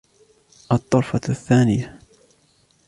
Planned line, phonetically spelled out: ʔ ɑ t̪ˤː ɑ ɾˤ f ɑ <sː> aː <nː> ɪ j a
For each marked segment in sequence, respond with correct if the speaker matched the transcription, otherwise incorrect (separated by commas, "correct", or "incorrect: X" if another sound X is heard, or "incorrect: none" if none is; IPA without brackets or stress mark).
incorrect: θː, incorrect: n